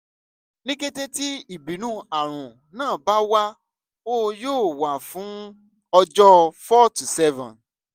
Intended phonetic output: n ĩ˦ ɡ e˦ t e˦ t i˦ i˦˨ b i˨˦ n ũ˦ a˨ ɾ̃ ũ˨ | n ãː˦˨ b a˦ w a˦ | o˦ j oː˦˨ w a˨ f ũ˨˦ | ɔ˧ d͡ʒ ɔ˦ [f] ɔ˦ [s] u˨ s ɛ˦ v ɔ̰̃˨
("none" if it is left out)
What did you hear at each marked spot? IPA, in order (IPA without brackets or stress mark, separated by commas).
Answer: f, t